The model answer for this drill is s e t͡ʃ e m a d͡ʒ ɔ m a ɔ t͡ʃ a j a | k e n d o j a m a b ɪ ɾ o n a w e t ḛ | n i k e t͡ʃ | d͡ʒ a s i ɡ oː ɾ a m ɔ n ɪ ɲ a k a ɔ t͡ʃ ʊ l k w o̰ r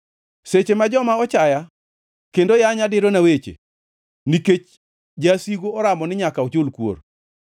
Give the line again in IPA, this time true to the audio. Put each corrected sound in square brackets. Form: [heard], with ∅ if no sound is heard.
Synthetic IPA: s e t͡ʃ e m a d͡ʒ ɔ m a ɔ t͡ʃ a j a | k e n d o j a [ɲ] a [d] ɪ ɾ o n a w e [t͡ʃ] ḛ | n i k e t͡ʃ | d͡ʒ a s i ɡ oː ɾ a m ɔ n ɪ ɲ a k a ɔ t͡ʃ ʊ l k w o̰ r